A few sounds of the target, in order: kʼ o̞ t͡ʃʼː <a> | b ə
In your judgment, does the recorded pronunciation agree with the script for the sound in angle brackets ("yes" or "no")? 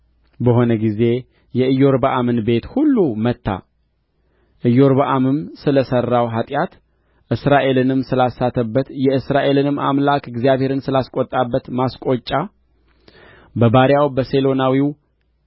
yes